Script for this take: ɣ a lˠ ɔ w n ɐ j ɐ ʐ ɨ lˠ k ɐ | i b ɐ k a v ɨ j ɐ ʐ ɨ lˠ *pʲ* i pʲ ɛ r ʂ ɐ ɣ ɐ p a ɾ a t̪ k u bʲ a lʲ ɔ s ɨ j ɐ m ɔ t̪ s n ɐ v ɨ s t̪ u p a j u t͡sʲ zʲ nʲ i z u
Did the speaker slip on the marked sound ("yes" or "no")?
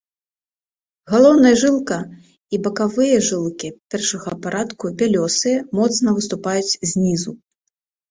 yes